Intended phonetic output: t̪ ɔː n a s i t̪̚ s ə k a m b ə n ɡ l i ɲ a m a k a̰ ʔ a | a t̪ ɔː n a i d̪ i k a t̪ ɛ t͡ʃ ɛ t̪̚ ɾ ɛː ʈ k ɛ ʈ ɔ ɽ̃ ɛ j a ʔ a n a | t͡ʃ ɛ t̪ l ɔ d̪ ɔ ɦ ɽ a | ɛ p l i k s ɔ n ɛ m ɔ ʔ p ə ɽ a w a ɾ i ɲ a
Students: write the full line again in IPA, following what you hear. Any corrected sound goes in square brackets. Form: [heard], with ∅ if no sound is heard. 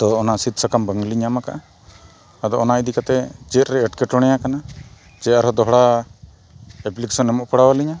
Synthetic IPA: t̪ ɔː n a s i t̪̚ s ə k a m b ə [ŋ] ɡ l i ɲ a m a k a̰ ʔ a | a [d̪] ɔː n a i d̪ i k a t̪ ɛ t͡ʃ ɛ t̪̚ ɾ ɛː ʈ k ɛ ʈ ɔ ɽ̃ ɛ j a [k] a n a | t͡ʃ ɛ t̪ [ɾ] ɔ d̪ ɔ ɦ ɽ a | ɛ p l i k s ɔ n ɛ m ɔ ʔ p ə ɽ a w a [l] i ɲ a